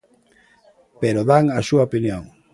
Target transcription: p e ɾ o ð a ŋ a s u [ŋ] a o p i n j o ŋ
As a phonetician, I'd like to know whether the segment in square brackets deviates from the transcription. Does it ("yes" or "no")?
yes